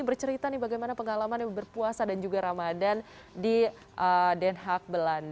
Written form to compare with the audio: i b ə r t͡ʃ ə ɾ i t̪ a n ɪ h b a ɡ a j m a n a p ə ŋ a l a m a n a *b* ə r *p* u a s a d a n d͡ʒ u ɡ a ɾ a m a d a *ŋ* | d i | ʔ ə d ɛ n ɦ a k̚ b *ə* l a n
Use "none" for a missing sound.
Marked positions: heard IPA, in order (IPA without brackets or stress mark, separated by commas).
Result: b, p, n, ə